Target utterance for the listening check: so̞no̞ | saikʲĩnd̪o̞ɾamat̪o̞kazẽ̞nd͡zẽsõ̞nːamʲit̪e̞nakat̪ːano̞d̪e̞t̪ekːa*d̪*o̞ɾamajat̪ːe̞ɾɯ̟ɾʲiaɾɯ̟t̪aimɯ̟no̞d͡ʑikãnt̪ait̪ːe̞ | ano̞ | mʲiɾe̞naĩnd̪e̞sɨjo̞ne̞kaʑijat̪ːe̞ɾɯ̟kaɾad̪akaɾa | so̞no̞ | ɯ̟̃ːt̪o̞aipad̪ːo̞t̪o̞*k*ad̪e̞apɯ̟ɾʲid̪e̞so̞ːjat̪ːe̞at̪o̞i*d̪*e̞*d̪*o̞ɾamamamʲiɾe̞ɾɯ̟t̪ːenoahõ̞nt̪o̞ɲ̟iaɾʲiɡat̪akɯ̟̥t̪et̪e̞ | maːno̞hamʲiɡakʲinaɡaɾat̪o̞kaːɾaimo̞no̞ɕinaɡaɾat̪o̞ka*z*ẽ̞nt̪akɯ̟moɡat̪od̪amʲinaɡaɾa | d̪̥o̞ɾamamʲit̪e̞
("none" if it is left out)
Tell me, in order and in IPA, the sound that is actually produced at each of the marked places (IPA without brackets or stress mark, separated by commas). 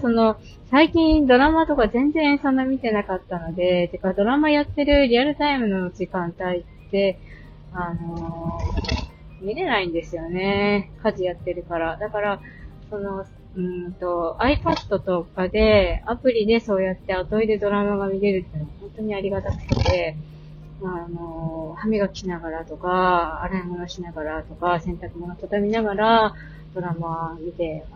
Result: d̪, k, d̪, d̪, s